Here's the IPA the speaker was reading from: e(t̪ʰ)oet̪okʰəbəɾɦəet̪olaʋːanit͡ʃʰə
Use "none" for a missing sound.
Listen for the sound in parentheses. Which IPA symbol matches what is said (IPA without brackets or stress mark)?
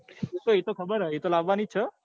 t̪